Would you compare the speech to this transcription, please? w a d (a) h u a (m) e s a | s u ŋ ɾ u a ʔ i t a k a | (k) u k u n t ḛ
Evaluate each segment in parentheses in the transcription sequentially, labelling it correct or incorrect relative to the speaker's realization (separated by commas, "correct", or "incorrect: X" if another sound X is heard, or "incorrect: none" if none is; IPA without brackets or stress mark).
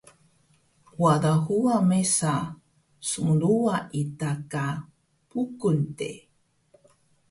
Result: correct, correct, incorrect: p